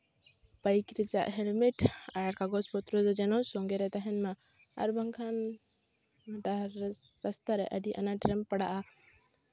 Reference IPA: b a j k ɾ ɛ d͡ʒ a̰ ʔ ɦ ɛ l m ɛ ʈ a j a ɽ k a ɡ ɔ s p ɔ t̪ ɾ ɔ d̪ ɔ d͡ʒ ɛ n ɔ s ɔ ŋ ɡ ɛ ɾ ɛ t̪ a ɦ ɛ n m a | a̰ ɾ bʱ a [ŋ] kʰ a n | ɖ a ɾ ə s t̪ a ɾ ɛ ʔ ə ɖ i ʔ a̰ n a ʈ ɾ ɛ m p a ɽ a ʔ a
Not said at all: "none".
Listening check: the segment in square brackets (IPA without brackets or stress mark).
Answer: ŋ